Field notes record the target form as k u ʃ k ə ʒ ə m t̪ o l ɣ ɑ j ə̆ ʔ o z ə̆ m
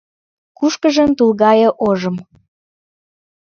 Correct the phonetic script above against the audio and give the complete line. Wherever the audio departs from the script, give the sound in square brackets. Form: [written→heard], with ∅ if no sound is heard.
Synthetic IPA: k u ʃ k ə ʒ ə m t̪ [o→u] l ɣ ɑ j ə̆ ʔ o [z→ʒ] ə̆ m